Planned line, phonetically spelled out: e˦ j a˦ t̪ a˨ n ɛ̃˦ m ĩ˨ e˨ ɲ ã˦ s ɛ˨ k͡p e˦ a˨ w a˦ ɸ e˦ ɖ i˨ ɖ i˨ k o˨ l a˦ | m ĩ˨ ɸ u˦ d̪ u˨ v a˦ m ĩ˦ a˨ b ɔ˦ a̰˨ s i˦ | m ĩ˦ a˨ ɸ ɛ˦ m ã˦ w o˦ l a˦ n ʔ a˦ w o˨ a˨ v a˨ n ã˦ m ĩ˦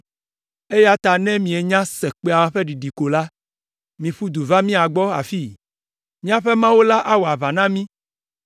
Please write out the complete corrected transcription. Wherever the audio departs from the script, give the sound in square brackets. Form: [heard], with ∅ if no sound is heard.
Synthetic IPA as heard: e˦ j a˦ t̪ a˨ n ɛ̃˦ m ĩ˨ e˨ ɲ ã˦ s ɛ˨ k͡p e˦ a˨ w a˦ ɸ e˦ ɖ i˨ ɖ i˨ k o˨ l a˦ | m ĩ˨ ɸ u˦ d̪ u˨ v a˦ m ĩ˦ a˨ [ɡ͡b] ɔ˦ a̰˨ [f] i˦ | m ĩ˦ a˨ ɸ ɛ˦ m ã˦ w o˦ l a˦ [∅] ʔ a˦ w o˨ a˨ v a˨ n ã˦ m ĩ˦

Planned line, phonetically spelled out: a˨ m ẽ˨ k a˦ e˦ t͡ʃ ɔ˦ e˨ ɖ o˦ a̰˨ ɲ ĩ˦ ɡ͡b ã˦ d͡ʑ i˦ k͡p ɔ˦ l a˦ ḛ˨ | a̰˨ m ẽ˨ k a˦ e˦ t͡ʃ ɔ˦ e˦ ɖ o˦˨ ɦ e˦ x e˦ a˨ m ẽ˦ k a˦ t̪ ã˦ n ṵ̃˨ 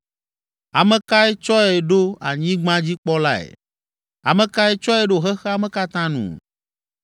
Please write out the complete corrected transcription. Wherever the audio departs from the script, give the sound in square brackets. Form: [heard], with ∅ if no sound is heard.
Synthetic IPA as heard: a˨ m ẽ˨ k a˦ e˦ t͡ʃ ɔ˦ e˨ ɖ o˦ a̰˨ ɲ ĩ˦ ɡ͡b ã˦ d͡ʑ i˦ k͡p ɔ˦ l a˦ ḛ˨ | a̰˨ m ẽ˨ k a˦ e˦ t͡ʃ ɔ˦ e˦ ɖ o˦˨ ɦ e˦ x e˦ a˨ m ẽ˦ k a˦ t̪ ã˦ n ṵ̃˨

